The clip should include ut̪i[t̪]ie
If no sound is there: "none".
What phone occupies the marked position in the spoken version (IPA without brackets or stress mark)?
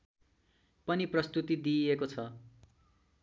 d̪